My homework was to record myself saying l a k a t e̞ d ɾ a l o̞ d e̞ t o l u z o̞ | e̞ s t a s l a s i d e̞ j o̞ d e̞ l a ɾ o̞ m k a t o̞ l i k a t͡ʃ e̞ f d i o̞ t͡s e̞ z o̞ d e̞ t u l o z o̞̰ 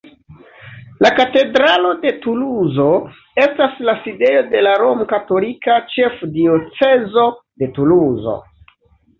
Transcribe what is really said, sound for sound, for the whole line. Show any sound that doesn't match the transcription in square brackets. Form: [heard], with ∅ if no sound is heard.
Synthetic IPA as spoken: l a k a t e̞ d ɾ a l o̞ d e̞ t [u] l u z o̞ | e̞ s t a s l a s i d e̞ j o̞ d e̞ l a ɾ o̞ m k a t o̞ l i k a t͡ʃ e̞ f d i o̞ t͡s e̞ z o̞ d e̞ t u l [u] z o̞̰